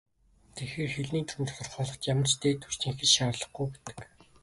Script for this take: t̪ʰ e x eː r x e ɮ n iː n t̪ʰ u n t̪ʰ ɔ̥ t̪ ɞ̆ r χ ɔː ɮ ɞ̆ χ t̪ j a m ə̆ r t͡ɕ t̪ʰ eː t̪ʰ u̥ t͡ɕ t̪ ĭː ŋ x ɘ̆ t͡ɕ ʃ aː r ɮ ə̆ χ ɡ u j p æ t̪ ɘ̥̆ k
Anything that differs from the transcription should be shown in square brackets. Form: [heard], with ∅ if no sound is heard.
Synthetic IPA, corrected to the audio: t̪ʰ e x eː r x e ɮ n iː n t̪ʰ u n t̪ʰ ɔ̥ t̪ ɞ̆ r χ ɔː ɮ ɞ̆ χ t̪ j a m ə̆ r t͡ɕ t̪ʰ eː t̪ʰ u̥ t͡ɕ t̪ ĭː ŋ x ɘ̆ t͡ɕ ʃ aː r ɮ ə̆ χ ɡ u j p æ t̪ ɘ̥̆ k

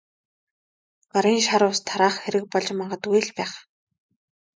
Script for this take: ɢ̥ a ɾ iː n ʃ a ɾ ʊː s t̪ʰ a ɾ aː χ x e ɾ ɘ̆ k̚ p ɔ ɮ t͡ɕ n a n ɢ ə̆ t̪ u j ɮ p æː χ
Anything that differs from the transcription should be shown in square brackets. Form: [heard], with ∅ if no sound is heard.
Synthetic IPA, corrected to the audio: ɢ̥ a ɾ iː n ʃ a ɾ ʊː s t̪ʰ a ɾ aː χ x e ɾ ɘ̆ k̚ p ɔ ɮ t͡ɕ [m] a [ɴ] ɢ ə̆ t̪ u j ɮ p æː χ

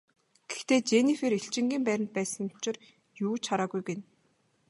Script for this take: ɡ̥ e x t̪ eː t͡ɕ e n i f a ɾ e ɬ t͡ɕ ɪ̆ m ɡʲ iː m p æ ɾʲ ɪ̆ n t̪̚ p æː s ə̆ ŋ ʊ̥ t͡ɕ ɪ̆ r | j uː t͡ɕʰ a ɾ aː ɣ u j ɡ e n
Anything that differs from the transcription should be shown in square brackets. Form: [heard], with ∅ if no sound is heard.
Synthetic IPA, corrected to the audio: ɡ̥ e x t̪ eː t͡ɕ e n i f [e] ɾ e ɬ t͡ɕ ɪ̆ [ŋ] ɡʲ iː m p æ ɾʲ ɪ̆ n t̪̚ p æː s ə̆ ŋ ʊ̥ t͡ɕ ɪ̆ r | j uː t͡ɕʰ a ɾ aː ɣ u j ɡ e n

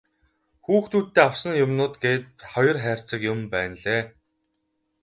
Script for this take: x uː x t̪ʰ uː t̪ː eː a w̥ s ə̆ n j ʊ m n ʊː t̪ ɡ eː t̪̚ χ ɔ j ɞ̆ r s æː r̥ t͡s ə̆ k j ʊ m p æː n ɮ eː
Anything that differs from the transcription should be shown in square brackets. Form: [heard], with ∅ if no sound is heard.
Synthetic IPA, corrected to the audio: x uː x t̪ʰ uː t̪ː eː a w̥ s ə̆ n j ʊ m n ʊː t̪ ɡ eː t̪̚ χ ɔ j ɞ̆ r [χ] æː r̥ t͡s ə̆ k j ʊ m p æː n ɮ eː

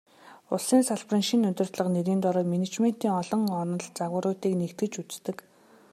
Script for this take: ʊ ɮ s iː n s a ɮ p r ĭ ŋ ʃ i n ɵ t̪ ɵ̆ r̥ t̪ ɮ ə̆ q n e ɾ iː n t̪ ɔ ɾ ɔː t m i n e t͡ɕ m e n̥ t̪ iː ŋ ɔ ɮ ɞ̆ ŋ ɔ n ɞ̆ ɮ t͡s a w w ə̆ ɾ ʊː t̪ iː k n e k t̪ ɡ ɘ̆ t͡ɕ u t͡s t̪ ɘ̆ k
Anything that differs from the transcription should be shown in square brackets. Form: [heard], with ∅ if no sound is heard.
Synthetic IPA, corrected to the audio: ʊ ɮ s iː n s a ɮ p r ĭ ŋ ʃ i n ɵ t̪ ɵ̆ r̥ t̪ ɮ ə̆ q n e ɾ iː n t̪ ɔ ɾ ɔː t m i n e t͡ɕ m e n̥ t̪ iː ŋ ɔ ɮ ɞ̆ ŋ ɔ n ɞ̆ ɮ t͡s a [ɣ] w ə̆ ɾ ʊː t̪ iː k n e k t̪ ɡ ɘ̆ t͡ɕ u t͡s t̪ ɘ̆ k

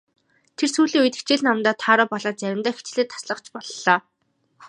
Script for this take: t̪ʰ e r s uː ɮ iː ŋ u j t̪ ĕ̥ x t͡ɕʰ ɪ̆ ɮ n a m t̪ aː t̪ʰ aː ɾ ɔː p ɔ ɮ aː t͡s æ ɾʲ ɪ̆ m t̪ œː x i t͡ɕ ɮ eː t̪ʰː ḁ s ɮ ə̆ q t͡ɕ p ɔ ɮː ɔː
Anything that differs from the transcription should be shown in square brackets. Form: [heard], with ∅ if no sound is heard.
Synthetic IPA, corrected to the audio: t̪ʰ e r s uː ɮ iː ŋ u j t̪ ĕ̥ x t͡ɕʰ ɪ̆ ɮ n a m t̪ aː t̪ʰ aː ɾ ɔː p ɔ ɮ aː t͡s æ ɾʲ ɪ̆ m t̪ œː x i t͡ɕ ɮ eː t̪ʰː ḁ s ɮ ə̆ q t͡ɕ p ɔ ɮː ɔː

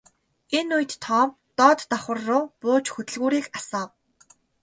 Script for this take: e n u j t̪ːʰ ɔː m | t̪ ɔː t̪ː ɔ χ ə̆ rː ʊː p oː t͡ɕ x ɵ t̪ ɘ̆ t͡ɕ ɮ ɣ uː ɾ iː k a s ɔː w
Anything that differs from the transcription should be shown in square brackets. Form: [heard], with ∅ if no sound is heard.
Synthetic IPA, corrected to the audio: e n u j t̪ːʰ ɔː m | t̪ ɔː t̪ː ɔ χ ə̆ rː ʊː p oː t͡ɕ x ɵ t̪ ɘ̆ [∅] ɮ ɣ uː ɾ iː k a s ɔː w

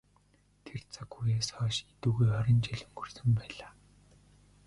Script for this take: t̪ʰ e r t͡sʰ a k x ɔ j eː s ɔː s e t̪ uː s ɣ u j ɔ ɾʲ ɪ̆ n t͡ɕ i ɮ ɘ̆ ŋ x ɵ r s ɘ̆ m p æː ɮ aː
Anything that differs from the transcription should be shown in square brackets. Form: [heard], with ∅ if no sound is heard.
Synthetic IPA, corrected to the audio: t̪ʰ e r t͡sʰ a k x [u] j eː s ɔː [ʃ] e t̪ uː [∅] ɣ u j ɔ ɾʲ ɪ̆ n t͡ɕ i ɮ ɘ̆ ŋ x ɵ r s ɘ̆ m p æː ɮ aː

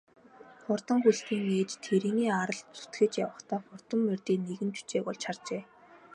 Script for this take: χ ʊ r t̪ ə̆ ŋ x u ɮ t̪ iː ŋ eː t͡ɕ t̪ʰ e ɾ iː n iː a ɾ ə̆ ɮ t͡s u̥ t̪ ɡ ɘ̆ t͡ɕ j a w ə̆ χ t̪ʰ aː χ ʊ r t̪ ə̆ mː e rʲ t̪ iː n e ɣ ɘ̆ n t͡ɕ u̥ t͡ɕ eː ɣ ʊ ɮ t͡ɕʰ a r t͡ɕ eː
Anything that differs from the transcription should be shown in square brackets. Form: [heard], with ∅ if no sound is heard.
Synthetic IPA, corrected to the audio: χ ʊ r t̪ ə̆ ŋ x u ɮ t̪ iː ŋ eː t͡ɕ t̪ʰ e ɾ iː n iː a ɾ ə̆ ɮ t͡s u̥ t̪ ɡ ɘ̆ t͡ɕ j a w ə̆ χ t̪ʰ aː χ ʊ r t̪ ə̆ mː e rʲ t̪ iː n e ɣ ɘ̆ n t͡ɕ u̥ t͡ɕ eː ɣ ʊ ɮ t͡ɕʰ a r t͡ɕ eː

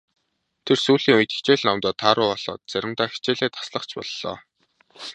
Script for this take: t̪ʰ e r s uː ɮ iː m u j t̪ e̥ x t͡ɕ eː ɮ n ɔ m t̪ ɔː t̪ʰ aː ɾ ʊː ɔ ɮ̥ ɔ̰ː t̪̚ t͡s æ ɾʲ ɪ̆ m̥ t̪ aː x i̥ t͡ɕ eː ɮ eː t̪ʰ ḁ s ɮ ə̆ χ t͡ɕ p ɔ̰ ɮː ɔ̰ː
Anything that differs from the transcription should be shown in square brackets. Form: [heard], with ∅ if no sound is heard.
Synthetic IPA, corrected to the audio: t̪ʰ e r s uː ɮ iː [ŋ] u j t̪ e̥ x t͡ɕ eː ɮ n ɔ m t̪ ɔː t̪ʰ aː ɾ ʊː ɔ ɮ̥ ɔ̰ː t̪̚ t͡s æ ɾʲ ɪ̆ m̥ t̪ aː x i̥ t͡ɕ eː ɮ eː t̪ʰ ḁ s ɮ ə̆ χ t͡ɕ p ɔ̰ ɮː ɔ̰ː

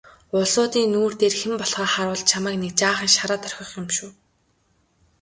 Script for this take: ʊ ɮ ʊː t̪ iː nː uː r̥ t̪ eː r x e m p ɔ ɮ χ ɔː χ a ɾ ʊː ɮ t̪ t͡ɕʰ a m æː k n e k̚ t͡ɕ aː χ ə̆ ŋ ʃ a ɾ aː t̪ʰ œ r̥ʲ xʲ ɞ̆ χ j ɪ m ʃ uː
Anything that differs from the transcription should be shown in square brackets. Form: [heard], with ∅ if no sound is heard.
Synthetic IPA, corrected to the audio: ʊ ɮ ʊː t̪ iː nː uː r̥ t̪ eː r x e m p ɔ ɮ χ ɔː χ a ɾ ʊː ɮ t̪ t͡ɕʰ a m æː k n e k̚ t͡ɕ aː χ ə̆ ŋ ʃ a ɾ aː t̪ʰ œ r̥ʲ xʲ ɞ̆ χ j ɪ m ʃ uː

